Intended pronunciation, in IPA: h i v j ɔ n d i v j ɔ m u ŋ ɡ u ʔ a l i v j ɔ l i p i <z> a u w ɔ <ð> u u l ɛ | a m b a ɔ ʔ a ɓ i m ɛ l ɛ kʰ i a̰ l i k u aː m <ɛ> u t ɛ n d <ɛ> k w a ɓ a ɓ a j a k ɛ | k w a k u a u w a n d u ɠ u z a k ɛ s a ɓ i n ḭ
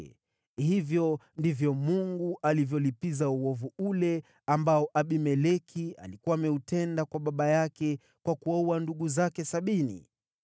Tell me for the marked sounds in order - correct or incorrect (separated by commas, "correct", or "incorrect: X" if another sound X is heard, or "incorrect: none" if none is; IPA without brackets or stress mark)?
correct, incorrect: v, correct, incorrect: a